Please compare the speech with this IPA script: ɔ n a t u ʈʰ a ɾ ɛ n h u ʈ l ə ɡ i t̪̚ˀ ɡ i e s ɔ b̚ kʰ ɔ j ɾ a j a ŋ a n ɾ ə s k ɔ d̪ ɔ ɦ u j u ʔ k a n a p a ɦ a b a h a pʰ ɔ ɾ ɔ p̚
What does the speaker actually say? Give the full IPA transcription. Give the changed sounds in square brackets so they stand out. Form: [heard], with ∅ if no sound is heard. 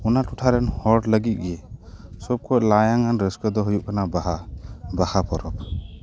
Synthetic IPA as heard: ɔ n a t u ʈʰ a ɾ ɛ n h [ɔ] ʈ l ə ɡ i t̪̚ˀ ɡ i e s ɔ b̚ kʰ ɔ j [l] a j a ŋ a n ɾ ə s k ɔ d̪ ɔ ɦ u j u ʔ k a n a [b] a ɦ a b a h a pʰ ɔ ɾ ɔ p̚

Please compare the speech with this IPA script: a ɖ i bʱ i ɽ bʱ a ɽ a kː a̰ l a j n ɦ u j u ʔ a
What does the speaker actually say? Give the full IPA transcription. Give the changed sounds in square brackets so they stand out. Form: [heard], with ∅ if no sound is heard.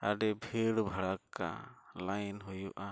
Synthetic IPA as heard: a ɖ [ɛ] bʱ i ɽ bʱ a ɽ a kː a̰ l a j n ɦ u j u ʔ a

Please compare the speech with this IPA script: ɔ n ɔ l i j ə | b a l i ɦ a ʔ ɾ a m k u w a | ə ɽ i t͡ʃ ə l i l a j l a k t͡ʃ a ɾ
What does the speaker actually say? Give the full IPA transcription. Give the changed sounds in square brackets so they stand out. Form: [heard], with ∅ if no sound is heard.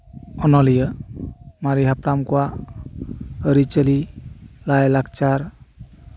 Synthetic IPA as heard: ɔ n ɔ l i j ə | [m] a [ɾ] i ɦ a [p] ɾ a m k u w a | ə [ɾ] i t͡ʃ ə l i l a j l a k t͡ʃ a ɾ

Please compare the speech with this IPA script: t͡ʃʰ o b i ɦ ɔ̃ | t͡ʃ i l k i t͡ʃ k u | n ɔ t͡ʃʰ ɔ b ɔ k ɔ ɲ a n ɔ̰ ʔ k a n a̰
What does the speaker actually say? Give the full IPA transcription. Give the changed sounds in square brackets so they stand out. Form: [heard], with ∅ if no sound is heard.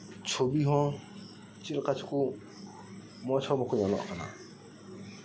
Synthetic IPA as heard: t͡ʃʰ o b i ɦ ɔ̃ | t͡ʃ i l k [a] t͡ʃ k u | [m] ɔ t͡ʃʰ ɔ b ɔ k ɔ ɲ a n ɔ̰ ʔ k a n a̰

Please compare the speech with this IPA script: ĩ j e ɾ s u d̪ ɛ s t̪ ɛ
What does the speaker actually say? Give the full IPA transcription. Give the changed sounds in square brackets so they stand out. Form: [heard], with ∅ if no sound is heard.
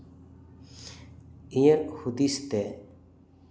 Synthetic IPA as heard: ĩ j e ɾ [h] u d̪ [i] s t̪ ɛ

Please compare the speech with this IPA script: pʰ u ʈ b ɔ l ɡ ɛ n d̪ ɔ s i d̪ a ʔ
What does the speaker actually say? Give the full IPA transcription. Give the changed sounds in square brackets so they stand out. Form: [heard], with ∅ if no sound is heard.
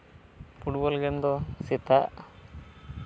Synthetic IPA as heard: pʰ u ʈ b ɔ l ɡ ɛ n d̪ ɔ s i [t̪] a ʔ

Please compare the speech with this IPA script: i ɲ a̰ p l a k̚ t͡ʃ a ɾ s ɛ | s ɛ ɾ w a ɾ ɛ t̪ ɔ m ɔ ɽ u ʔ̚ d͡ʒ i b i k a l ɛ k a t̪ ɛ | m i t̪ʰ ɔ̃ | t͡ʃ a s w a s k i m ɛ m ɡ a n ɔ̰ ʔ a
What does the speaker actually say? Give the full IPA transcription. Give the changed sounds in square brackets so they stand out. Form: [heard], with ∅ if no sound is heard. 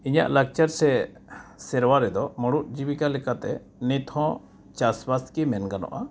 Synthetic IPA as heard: i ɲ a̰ [ʔ] l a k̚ t͡ʃ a ɾ s ɛ | s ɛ ɾ w a ɾ ɛ [d̪] ɔ m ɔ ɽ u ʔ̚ d͡ʒ i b i k a l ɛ k a t̪ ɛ | [n] i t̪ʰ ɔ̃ | t͡ʃ a s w a s k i m ɛ [n] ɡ a n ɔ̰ ʔ a

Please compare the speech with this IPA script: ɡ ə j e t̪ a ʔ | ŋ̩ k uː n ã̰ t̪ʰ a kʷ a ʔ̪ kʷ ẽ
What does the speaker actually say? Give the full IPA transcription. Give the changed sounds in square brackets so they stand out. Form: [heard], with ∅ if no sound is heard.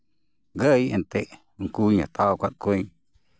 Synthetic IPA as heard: ɡ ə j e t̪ [e] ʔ | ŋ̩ k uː [ɲ] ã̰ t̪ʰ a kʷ a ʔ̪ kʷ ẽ

